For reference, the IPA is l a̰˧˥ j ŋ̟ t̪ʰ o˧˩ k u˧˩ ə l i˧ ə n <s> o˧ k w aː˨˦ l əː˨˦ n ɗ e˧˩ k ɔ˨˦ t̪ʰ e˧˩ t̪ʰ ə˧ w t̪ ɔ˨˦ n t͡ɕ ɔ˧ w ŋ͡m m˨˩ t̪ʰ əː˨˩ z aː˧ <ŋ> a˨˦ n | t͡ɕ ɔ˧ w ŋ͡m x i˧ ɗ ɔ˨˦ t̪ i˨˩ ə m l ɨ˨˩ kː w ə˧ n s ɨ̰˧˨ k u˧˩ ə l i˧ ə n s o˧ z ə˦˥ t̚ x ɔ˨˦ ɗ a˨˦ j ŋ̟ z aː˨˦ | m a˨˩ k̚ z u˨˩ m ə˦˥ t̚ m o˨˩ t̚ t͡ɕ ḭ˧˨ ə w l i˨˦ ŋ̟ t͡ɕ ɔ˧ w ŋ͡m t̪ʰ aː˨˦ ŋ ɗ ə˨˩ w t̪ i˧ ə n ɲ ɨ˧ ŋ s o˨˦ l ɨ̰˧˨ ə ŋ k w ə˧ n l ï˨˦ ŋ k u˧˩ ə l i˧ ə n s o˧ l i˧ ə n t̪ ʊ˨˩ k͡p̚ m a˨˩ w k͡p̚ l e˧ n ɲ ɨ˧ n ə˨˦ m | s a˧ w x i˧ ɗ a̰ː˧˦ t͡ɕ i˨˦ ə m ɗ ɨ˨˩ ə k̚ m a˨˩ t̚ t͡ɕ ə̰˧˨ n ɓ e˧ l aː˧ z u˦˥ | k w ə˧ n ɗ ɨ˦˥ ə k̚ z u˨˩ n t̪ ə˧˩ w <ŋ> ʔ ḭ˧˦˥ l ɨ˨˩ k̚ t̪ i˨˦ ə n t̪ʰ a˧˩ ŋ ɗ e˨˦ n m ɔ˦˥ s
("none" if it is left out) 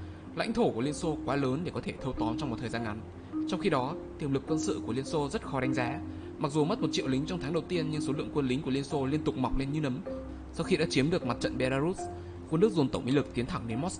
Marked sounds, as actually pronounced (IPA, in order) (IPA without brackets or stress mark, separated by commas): s, ŋ, ŋ͡m